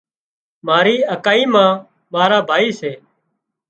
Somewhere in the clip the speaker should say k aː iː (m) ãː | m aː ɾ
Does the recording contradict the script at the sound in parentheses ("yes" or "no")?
no